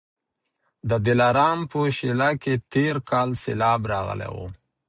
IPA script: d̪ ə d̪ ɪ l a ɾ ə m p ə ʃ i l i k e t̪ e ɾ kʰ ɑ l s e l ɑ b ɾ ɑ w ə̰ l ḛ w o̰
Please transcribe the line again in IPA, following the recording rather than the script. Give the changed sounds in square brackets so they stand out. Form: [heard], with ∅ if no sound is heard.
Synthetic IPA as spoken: d̪ ə d̪ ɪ l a ɾ [ɑ] m p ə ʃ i l [a] k e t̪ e ɾ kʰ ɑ l s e l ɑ b ɾ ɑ [ɣ] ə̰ l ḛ w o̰